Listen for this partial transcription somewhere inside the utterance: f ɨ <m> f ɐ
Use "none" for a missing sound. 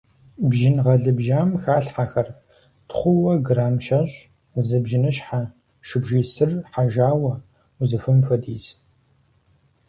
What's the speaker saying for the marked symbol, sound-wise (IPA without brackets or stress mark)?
m